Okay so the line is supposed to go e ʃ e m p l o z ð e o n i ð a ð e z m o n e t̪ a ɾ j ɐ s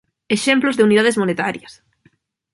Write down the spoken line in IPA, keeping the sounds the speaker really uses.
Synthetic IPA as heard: e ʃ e m p l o z ð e u n i ð a ð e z m o n e t̪ a ɾ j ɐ s